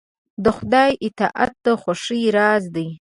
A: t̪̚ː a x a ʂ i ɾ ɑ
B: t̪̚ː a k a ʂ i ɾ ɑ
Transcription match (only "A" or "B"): A